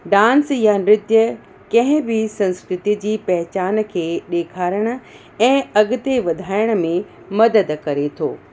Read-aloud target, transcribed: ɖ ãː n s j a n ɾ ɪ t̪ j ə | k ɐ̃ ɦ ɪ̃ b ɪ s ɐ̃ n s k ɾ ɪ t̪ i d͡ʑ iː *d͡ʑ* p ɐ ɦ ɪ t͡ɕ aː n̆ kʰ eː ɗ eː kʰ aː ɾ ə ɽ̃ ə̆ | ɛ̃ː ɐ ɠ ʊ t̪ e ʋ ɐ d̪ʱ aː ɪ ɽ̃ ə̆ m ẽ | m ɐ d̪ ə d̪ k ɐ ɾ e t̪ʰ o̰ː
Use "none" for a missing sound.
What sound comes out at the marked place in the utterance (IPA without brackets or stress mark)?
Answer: none